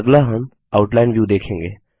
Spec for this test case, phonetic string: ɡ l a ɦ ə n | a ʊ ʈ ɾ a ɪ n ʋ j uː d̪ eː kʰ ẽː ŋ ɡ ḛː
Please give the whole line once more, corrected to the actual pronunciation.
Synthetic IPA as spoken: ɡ l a ɦ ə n | a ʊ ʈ l a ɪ n ʋ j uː d̪ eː kʰ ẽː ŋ ɡ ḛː